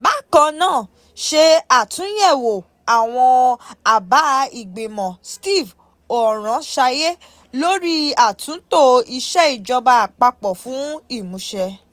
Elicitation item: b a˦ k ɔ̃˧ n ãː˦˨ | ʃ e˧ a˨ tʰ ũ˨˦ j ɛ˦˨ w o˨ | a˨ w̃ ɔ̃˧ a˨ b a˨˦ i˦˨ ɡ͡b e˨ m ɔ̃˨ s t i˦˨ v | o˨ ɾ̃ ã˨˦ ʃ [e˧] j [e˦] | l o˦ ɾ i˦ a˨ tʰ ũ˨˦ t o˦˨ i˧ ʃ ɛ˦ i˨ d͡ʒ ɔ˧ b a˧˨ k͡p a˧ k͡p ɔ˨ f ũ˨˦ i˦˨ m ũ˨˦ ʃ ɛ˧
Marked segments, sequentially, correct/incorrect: incorrect, correct

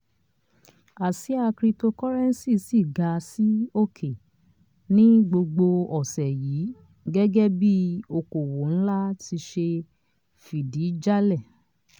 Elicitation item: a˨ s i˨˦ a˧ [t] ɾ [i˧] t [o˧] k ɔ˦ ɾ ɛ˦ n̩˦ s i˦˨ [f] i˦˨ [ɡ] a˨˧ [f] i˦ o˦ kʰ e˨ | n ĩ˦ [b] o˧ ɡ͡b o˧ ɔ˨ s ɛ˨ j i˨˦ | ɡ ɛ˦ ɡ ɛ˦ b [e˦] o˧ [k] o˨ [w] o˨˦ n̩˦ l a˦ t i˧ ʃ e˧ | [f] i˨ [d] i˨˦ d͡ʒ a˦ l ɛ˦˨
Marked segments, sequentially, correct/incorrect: incorrect, correct, correct, incorrect, correct, incorrect, incorrect, incorrect, correct, correct, correct, correct

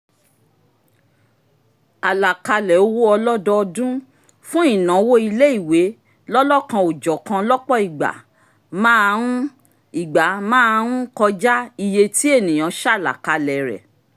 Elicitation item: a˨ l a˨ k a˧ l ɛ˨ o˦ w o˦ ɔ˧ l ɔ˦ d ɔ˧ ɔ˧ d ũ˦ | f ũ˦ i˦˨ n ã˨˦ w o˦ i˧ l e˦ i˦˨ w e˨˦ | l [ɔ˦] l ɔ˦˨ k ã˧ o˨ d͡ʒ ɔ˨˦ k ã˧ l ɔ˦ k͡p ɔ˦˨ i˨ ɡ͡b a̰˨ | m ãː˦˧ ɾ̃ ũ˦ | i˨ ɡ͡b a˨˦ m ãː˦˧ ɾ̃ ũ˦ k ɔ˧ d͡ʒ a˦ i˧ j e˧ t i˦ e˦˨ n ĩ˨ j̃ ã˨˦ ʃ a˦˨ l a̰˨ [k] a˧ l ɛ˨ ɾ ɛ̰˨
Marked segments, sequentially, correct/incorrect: correct, correct

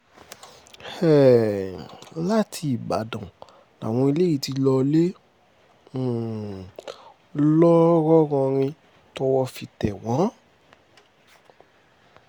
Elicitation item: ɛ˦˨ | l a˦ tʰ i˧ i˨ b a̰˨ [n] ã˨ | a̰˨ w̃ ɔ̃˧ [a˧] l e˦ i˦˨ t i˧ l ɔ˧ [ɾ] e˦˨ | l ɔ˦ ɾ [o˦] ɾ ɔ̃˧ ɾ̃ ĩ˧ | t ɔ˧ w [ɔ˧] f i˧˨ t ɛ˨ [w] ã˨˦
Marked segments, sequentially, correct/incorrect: incorrect, incorrect, incorrect, incorrect, correct, correct

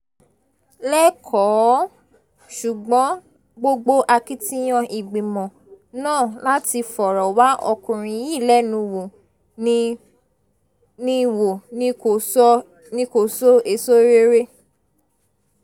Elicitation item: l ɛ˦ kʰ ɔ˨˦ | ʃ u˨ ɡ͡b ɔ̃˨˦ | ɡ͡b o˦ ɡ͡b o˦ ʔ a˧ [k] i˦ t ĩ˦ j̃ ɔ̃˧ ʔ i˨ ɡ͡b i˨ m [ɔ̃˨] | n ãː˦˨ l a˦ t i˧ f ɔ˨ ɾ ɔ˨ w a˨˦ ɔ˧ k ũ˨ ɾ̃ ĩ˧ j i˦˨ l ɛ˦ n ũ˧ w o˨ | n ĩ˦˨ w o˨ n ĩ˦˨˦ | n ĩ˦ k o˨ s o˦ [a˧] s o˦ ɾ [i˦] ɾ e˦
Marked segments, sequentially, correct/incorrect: correct, correct, incorrect, incorrect

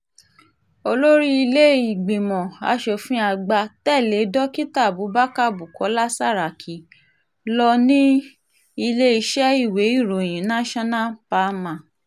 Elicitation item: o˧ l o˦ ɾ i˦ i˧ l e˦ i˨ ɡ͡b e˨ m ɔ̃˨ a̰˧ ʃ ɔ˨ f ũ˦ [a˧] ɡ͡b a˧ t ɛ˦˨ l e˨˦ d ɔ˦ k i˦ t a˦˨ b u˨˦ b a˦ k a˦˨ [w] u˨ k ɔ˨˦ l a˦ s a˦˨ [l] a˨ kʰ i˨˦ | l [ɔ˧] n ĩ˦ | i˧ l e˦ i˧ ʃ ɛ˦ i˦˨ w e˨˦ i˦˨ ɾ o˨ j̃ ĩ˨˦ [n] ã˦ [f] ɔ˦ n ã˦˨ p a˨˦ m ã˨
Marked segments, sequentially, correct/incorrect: correct, incorrect, incorrect, correct, correct, incorrect

